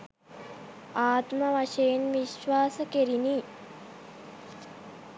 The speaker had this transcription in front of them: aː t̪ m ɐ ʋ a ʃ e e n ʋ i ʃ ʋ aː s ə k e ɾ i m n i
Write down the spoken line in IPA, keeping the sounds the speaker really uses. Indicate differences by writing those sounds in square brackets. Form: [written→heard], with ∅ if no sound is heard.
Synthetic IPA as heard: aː t̪ m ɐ ʋ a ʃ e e n ʋ i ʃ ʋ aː s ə k e ɾ i [m→∅] n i